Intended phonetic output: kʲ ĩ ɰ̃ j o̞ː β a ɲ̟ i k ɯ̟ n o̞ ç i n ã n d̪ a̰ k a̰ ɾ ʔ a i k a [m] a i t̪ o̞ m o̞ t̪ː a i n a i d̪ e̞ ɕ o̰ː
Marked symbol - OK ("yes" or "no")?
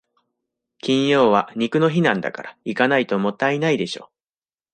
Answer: no